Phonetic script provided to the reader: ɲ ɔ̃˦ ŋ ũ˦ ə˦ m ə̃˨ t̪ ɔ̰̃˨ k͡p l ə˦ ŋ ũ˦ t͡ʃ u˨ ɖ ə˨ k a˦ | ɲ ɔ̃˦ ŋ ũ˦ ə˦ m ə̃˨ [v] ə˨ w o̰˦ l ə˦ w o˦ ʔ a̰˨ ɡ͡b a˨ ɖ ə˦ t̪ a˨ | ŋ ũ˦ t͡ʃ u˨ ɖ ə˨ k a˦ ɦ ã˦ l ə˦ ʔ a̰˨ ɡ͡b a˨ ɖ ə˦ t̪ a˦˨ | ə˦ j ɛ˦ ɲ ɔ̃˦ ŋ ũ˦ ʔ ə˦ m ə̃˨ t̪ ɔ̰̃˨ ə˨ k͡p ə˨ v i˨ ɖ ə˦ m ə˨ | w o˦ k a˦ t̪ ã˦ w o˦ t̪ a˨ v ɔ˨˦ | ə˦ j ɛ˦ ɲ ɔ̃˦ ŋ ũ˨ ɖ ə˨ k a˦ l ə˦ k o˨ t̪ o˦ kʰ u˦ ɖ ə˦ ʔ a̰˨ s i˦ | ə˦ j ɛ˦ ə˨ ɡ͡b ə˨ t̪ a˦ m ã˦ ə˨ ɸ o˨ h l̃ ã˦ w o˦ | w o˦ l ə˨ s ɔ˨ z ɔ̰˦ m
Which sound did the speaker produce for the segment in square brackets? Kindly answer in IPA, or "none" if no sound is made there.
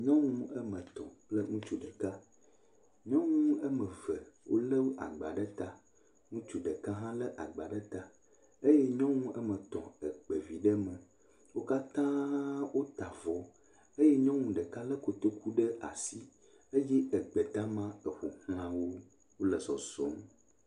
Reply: v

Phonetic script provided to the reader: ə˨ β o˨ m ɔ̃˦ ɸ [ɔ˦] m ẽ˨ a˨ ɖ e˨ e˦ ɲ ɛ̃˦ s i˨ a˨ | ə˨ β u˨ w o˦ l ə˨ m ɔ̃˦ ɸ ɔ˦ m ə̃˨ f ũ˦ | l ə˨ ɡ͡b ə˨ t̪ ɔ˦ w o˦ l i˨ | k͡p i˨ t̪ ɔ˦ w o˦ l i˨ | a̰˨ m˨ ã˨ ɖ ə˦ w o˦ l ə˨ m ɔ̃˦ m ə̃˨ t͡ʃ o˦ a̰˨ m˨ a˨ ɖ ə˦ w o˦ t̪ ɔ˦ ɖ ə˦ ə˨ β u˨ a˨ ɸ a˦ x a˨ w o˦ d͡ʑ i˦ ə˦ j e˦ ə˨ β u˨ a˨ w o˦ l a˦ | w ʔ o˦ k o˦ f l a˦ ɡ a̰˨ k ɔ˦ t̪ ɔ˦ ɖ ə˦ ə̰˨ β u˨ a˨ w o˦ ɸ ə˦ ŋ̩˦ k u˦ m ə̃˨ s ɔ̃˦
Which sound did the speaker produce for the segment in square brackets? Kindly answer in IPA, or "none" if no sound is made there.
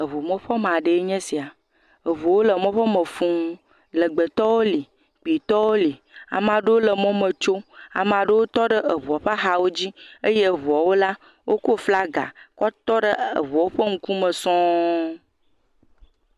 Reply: ɔ˦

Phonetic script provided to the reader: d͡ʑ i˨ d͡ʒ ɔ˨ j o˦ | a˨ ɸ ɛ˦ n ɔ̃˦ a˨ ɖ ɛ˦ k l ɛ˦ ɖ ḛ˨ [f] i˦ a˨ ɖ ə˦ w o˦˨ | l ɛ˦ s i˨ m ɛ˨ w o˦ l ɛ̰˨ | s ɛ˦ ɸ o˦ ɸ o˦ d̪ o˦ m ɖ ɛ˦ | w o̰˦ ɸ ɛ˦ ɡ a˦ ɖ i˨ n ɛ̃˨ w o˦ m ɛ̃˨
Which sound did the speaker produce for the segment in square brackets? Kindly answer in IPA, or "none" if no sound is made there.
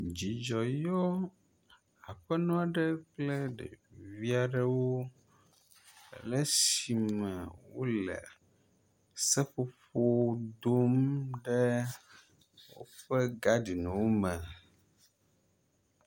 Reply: v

